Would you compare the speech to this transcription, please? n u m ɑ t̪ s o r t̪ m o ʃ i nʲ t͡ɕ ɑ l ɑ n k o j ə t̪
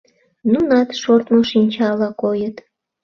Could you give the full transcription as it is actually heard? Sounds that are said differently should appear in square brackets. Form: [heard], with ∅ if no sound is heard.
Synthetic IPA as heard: n u [n] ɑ t̪ [ʃ] o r t̪ m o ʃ i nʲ t͡ɕ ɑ l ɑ [∅] k o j ə t̪